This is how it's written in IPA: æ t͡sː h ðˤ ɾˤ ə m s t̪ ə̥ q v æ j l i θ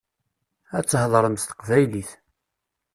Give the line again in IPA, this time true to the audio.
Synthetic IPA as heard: æ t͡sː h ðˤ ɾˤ ə m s t̪ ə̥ q v æ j l i θ